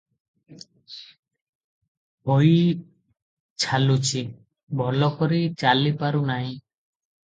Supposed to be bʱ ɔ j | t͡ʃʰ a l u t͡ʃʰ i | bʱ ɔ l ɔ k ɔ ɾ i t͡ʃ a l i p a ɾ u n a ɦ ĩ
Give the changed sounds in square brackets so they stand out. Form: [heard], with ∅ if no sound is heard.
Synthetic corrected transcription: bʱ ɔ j | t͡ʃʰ a l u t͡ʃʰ i | bʱ ɔ l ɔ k ɔ ɾ i t͡ʃ a l i p a ɾ u n a ɦ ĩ

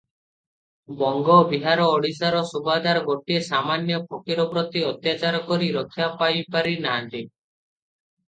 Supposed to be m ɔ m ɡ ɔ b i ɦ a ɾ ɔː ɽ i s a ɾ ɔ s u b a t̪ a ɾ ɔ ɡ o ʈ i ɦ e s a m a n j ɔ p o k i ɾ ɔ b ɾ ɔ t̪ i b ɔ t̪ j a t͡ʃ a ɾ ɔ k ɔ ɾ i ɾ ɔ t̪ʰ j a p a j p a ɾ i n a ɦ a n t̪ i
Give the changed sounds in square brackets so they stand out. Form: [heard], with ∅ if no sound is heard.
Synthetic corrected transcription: [b] ɔ [ŋ] ɡ ɔ b i ɦ a ɾ ɔː ɽ i s a ɾ ɔ s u b a [d̪] a ɾ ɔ ɡ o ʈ i [∅] e s a m a n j ɔ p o k i ɾ ɔ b ɾ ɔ t̪ i [∅] ɔ t̪ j a t͡ʃ a ɾ ɔ k ɔ ɾ i ɾ ɔ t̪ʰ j a p a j p a ɾ i n a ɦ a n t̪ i

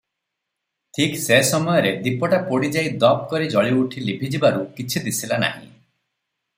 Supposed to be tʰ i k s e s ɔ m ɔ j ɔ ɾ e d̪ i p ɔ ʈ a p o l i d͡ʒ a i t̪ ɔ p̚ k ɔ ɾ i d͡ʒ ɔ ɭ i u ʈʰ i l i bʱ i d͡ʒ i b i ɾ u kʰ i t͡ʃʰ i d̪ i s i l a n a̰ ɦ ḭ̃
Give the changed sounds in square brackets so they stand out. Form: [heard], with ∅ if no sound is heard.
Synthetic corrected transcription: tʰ i k s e s ɔ m ɔ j ɔ ɾ e d̪ i p ɔ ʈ a p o [ɽ] i d͡ʒ a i [d̪] ɔ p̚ k ɔ ɾ i d͡ʒ ɔ ɭ i u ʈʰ i l i bʱ i d͡ʒ i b [a] ɾ u [k] i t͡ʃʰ i d̪ i s i l a n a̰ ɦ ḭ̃

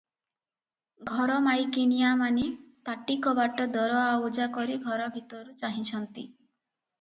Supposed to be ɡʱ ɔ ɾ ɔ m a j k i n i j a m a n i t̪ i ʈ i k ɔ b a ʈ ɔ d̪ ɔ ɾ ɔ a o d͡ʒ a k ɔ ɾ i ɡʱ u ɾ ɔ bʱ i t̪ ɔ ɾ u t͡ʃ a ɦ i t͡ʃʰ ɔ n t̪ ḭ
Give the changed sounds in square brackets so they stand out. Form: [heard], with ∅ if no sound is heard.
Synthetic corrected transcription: ɡʱ ɔ ɾ ɔ m a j k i n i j a m a n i t̪ [a] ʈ i k ɔ b a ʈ ɔ d̪ ɔ ɾ ɔ a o d͡ʒ a k ɔ ɾ i ɡʱ [ɔ] ɾ ɔ bʱ i t̪ ɔ ɾ u t͡ʃ a ɦ i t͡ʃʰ ɔ n t̪ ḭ

